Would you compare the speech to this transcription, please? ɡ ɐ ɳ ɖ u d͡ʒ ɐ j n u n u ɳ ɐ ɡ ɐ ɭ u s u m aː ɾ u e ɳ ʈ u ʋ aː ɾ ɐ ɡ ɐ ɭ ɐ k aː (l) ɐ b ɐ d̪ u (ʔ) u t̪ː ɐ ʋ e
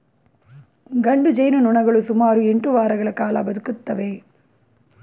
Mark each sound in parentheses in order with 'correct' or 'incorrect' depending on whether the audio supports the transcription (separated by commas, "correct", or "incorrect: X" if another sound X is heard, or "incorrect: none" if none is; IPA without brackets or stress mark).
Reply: correct, incorrect: k